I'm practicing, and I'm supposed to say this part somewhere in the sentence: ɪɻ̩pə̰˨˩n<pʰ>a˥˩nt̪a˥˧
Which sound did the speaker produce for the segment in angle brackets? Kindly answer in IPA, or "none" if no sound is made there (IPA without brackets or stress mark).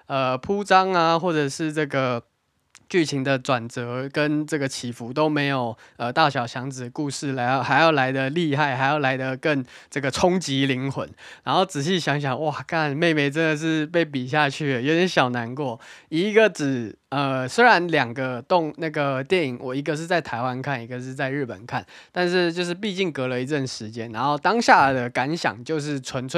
kʰ